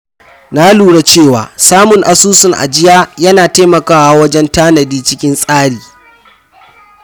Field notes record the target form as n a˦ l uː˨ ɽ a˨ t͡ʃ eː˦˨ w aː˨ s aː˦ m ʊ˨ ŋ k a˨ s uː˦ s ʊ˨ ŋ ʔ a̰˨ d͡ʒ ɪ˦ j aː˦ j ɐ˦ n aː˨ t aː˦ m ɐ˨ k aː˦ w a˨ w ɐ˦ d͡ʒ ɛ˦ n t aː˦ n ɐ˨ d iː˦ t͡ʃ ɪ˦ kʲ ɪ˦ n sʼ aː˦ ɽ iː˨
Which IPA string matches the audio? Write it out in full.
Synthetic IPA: n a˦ l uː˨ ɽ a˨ t͡ʃ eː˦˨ w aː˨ s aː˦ m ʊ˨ ŋ ʔ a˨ s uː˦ s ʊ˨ ŋ ʔ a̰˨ d͡ʒ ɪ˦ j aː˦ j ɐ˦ n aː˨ t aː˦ m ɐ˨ k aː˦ w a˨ w ɐ˦ d͡ʒ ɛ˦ n t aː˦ n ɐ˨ d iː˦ t͡ʃ ɪ˦ kʲ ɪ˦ n sʼ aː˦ ɽ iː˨